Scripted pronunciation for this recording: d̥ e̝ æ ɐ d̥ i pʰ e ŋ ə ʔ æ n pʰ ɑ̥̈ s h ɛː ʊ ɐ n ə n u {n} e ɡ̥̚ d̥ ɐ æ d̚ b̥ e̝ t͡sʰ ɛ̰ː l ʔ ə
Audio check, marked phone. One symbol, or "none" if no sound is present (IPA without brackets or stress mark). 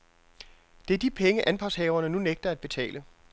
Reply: n